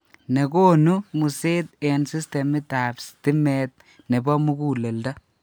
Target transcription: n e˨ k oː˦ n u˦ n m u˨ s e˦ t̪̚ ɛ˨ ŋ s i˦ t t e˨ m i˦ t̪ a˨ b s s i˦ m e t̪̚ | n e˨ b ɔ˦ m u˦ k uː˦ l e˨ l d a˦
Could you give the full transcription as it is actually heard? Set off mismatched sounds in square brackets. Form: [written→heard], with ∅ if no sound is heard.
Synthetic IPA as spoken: n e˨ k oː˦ n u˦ [n→∅] m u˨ s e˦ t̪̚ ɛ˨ [ŋ→n] s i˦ [t→s] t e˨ m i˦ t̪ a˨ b s [s→t] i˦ m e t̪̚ | n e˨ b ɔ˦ m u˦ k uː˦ l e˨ l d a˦